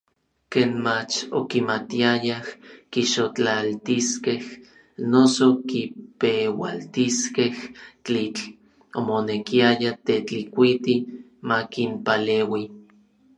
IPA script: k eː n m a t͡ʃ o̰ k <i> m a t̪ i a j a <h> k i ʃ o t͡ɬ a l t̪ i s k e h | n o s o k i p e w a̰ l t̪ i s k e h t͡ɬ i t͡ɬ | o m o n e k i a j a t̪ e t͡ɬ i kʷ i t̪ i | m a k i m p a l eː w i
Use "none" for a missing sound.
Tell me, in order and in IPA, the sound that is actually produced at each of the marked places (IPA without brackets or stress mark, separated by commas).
i, h